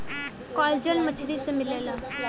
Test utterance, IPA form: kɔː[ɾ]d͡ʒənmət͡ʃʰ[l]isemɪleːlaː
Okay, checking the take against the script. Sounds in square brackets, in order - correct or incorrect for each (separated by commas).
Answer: incorrect, incorrect